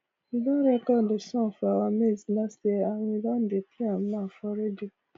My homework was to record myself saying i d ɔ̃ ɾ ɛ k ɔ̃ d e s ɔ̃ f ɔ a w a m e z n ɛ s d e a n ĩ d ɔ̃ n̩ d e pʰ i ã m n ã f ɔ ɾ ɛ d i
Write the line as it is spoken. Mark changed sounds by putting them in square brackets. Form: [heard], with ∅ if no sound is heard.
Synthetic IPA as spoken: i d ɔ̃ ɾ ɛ k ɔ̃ d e s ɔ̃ f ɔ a w a m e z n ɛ s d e a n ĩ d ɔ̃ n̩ d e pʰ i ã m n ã f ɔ ɾ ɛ d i